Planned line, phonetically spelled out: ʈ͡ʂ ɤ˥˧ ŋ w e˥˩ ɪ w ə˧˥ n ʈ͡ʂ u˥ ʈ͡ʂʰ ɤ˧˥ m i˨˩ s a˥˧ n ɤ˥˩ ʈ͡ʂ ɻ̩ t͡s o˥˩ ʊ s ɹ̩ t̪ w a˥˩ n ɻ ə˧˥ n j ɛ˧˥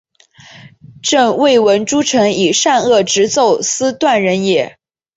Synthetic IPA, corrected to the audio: ʈ͡ʂ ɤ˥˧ ŋ w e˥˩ ɪ w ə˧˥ n ʈ͡ʂ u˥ ʈ͡ʂʰ ɤ˧˥ ŋ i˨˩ ʂ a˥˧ n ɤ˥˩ ʈ͡ʂ ɻ̩ t͡s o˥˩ ʊ s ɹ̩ t̪ w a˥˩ n ɻ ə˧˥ n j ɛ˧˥